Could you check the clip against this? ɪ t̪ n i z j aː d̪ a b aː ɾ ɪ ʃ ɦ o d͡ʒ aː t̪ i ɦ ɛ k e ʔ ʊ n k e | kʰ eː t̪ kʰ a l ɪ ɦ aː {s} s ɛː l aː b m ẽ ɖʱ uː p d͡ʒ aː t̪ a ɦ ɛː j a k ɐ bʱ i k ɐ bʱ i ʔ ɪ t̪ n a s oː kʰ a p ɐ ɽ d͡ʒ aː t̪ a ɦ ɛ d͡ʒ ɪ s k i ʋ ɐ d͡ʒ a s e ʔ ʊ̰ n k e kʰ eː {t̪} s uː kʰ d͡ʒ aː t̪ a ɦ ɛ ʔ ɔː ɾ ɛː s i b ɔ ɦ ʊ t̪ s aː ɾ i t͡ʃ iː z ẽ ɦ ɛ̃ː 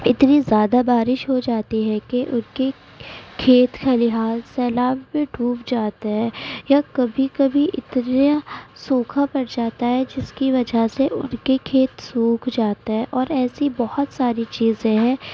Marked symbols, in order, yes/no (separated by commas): no, yes